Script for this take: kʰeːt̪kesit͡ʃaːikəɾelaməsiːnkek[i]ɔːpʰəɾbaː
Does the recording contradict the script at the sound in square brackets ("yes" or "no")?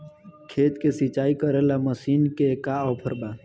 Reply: yes